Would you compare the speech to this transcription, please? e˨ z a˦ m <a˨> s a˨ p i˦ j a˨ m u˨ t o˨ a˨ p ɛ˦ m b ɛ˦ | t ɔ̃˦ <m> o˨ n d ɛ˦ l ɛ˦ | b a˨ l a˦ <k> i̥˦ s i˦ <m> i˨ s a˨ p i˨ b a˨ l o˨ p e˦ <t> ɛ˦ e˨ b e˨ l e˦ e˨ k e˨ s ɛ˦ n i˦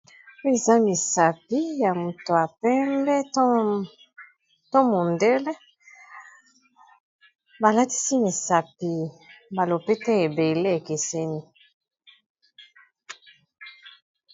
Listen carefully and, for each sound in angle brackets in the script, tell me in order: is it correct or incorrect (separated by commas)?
incorrect, correct, incorrect, correct, correct